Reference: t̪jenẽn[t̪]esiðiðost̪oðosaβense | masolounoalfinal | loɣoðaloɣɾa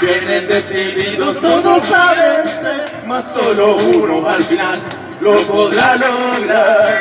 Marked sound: incorrect: d̪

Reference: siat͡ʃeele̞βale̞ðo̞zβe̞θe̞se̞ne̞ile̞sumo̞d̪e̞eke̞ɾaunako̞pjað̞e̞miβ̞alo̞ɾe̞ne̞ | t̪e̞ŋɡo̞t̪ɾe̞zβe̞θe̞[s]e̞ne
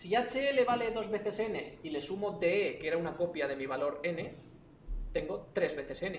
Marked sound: correct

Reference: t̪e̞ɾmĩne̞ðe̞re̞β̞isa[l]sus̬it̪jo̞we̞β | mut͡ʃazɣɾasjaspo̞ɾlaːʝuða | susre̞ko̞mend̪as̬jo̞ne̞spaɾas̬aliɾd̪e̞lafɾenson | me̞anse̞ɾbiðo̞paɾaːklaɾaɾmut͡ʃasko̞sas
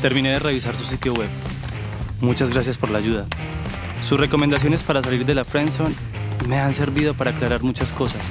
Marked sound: incorrect: ɾ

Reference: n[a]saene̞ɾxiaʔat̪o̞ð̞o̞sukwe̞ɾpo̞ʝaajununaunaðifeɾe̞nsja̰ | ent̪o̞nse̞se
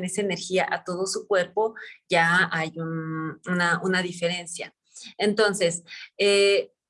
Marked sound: incorrect: e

